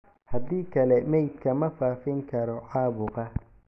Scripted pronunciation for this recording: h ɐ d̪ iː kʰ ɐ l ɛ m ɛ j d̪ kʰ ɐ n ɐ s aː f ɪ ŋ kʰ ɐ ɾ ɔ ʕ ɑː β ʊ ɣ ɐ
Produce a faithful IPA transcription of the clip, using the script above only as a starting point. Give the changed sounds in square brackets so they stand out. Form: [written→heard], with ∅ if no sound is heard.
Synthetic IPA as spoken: h ɐ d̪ iː kʰ ɐ l ɛ m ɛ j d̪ kʰ ɐ [n→m] ɐ [s→f] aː f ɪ ŋ kʰ ɐ ɾ ɔ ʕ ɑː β ʊ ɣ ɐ